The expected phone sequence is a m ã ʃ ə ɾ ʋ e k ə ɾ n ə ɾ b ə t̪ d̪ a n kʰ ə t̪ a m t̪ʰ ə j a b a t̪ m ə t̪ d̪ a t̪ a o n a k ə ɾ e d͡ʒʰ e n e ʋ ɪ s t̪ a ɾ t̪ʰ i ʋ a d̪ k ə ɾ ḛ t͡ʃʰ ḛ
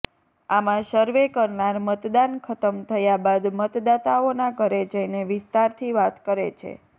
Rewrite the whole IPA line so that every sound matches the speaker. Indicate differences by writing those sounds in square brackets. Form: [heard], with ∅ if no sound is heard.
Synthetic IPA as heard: a m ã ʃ ə ɾ ʋ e k ə ɾ n [a] ɾ [m] ə t̪ d̪ a n kʰ ə t̪ [ə] m t̪ʰ ə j a b a [d̪] m ə t̪ d̪ a t̪ a o n a k ə ɾ e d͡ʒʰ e n e ʋ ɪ s t̪ a ɾ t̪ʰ i ʋ a [t̪] k ə ɾ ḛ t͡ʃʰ ḛ